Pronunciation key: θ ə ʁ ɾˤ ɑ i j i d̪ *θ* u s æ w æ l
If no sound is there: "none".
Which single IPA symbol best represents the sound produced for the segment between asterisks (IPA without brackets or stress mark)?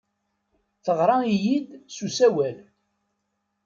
s